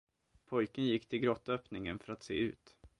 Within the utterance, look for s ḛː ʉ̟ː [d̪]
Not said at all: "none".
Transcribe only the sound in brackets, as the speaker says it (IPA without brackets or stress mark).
t̪